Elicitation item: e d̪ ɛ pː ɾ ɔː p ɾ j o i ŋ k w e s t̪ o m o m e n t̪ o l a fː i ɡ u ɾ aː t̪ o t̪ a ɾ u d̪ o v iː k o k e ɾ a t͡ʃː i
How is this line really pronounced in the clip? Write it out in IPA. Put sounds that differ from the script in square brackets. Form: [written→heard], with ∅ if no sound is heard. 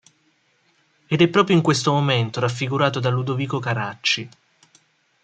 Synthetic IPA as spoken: e d̪ ɛ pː ɾ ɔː p ɾ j o i ŋ k w e s t̪ o m o m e n t̪ o [l→ɾ] a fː i ɡ u ɾ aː t̪ o [t̪→d̪] a [ɾ→l] u d̪ o v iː k o k [e→a] ɾ a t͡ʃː i